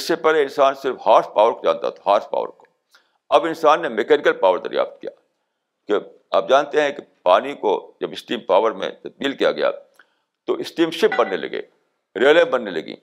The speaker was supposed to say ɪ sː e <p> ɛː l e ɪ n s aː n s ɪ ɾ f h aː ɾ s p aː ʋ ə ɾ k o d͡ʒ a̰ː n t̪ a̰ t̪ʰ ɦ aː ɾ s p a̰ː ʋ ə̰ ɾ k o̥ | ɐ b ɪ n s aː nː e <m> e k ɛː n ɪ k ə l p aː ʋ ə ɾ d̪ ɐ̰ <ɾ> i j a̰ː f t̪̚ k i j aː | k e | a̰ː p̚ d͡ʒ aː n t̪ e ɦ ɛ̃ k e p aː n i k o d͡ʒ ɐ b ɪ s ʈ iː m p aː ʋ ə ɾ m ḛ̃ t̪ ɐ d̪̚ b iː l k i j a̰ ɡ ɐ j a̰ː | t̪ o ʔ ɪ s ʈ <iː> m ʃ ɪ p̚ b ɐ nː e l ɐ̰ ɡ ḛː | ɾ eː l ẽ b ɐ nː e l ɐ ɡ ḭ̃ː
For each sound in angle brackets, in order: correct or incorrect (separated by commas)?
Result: correct, correct, correct, correct